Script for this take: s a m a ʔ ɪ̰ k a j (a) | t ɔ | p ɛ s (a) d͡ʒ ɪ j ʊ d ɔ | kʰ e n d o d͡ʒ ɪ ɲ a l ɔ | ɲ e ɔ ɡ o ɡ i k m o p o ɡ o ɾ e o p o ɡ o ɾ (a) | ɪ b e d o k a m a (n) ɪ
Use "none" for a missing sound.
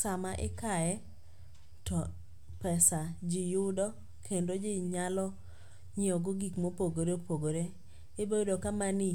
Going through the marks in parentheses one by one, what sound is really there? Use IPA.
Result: ɛ, a, e, n

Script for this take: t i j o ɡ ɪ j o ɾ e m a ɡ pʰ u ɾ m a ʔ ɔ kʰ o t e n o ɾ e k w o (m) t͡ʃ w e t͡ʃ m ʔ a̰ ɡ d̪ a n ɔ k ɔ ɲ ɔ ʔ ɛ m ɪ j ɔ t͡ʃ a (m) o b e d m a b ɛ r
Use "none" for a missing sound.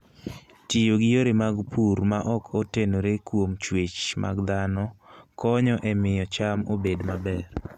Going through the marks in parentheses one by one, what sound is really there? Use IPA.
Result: m, m

